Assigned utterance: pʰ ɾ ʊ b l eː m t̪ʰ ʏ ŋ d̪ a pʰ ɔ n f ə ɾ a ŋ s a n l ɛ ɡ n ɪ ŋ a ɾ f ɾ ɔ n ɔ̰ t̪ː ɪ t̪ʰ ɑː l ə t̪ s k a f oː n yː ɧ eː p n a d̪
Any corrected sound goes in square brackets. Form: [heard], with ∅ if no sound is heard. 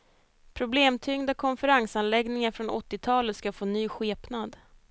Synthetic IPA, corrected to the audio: pʰ ɾ ʊ b l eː m t̪ʰ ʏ ŋ d̪ a [kʰ] ɔ n f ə ɾ a ŋ s a n l ɛ ɡ n ɪ ŋ a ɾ f ɾ ɔ n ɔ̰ t̪ː ɪ t̪ʰ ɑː l ə t̪ s k a f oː n yː ɧ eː p n a d̪